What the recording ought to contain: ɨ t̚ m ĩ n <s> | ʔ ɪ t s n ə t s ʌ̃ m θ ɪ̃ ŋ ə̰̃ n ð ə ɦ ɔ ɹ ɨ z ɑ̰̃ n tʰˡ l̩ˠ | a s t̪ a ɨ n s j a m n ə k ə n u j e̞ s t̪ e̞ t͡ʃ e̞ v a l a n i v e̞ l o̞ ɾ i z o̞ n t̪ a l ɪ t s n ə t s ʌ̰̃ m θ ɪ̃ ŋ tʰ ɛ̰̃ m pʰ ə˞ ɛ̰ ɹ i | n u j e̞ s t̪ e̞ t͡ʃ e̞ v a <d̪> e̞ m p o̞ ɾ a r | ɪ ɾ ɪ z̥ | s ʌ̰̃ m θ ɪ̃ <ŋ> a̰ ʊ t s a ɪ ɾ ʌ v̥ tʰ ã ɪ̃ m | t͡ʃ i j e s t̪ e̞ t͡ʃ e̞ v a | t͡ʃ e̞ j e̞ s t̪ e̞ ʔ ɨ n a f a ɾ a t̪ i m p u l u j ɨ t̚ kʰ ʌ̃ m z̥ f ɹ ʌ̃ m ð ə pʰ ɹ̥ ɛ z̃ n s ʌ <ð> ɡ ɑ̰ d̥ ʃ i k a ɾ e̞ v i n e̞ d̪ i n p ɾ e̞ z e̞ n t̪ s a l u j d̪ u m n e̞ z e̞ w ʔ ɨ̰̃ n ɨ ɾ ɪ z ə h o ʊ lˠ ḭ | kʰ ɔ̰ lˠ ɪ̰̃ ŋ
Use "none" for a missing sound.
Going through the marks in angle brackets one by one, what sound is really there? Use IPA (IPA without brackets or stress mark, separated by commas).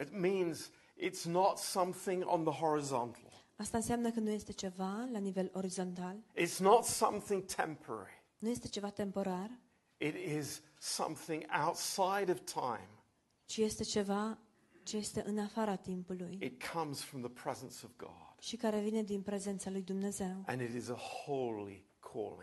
z, t̪, ŋ, v